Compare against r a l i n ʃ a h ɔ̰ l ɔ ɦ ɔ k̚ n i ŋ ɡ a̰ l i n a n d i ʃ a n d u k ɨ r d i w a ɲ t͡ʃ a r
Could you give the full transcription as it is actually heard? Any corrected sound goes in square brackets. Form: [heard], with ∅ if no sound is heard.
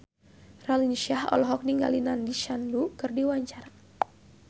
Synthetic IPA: r a l i n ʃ a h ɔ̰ l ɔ ɦ ɔ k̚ n i ŋ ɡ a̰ l i n a n d i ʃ a n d u k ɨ r d i w a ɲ t͡ʃ a r

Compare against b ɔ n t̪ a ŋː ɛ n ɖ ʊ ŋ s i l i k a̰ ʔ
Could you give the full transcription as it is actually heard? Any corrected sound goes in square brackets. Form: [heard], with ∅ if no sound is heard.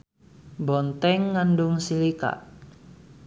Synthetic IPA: b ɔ n t̪ [ɛ] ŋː [a] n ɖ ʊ ŋ s i l i k a̰ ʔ

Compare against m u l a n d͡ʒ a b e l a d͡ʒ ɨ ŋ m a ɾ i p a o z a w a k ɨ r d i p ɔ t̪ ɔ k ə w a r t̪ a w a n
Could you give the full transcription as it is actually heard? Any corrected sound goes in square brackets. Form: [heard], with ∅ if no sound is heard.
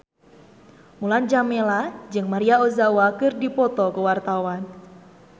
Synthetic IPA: m u l a n d͡ʒ a [m] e l a d͡ʒ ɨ ŋ m a ɾ i [∅] a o z a w a k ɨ r d i p ɔ t̪ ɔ k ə w a r t̪ a w a n

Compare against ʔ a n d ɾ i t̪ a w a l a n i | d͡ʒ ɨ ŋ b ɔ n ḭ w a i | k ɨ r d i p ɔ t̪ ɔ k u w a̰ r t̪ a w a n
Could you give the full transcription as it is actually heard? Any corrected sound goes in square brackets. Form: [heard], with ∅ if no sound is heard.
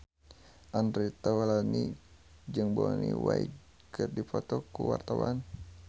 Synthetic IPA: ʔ a n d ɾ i t̪ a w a l a n i | d͡ʒ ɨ ŋ b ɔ n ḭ w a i | k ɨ r d i p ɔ t̪ ɔ k u w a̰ r t̪ a w a n

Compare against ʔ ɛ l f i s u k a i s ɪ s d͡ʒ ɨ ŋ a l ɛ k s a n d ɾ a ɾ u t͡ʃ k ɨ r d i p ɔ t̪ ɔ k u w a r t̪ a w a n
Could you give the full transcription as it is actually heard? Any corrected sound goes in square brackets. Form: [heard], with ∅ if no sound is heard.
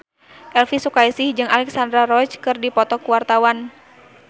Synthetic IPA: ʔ ɛ l f i s u k a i s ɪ [h] d͡ʒ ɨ ŋ a l ɛ k s a n d ɾ a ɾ [ɔ] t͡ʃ k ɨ r d i p ɔ t̪ ɔ k u w a r t̪ a w a n

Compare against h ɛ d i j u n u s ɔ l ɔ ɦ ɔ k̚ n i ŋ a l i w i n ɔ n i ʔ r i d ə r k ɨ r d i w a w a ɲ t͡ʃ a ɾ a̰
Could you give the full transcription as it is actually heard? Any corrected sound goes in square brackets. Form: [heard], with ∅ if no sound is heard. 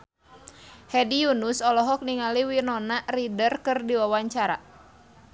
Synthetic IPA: h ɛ d i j u n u s ɔ l ɔ ɦ ɔ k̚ n i ŋ a l i w i n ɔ n [a] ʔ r i d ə r k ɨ r d i w a w a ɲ t͡ʃ a ɾ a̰

